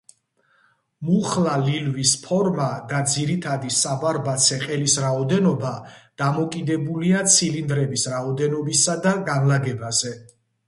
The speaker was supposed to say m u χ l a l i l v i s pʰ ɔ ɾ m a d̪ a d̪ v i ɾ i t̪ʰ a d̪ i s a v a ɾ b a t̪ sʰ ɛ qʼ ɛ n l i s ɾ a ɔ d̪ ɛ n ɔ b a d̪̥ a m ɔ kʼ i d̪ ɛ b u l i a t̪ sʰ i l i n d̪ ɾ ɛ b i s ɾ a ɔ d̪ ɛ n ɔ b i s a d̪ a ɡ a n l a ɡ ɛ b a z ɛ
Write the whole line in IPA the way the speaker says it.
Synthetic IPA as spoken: m u χ l a l i l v i s pʰ ɔ ɾ m a d̪ a d̪ z i ɾ i t̪ʰ a d̪ i s a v a ɾ b a t̪ sʰ ɛ qʼ ɛ l i s ɾ a ɔ d̪ ɛ n ɔ b a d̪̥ a m ɔ kʼ i d̪ ɛ b u l i a t̪ sʰ i l i n d̪ ɾ ɛ b i s ɾ a ɔ d̪ ɛ n ɔ b i s a d̪ a ɡ a n l a ɡ ɛ b a z ɛ